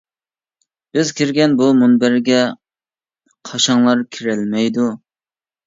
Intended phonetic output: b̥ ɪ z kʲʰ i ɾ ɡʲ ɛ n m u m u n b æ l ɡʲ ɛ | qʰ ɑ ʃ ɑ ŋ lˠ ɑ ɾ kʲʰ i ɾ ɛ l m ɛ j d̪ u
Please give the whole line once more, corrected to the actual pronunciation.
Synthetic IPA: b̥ ɪ z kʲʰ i ɾ ɡʲ ɛ n b u m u n b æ ɾ ɡʲ ɛ | qʰ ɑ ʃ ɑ ŋ lˠ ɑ ɾ kʲʰ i ɾ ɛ l m ɛ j d̪ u